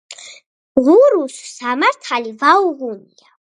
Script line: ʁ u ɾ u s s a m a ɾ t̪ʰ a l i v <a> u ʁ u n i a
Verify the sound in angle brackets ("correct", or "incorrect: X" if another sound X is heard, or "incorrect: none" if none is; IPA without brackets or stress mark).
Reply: correct